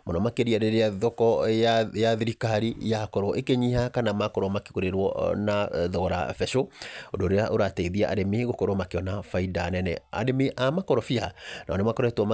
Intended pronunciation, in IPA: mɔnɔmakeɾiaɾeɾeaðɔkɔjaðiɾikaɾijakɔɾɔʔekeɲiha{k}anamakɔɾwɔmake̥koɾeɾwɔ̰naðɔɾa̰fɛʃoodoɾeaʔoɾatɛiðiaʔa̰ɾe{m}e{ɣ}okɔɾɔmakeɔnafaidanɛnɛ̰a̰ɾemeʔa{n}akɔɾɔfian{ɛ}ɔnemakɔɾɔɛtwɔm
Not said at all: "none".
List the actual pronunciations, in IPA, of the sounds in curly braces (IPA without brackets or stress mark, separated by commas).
k, m, ɣ, m, a